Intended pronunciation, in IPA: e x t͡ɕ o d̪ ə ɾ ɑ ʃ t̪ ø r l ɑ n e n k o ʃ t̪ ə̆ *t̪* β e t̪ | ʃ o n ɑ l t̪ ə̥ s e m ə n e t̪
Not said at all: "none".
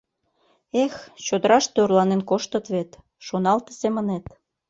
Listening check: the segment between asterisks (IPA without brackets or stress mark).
t̪